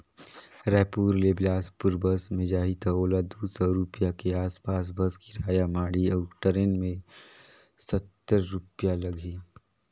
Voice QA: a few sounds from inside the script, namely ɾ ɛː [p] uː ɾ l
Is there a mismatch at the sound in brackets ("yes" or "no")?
no